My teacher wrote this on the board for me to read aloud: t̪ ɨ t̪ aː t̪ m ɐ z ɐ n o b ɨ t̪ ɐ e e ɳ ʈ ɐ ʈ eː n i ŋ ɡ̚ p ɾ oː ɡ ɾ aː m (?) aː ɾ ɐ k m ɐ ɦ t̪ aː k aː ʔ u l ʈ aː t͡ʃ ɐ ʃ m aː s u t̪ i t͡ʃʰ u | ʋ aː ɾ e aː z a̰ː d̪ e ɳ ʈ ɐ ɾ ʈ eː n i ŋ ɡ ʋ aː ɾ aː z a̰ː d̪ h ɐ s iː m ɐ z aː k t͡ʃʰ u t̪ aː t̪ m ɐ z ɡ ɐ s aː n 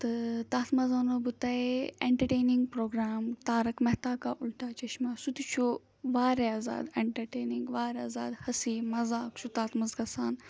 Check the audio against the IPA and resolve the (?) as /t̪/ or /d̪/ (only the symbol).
t̪